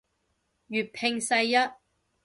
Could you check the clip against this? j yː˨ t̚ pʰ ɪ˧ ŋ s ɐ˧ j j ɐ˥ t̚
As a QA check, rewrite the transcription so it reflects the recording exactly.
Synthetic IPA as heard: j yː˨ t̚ pʰ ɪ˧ ŋ s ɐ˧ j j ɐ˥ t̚